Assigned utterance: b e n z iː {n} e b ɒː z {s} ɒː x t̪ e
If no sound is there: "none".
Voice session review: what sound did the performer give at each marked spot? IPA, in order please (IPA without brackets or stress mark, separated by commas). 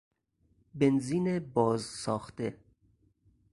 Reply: n, s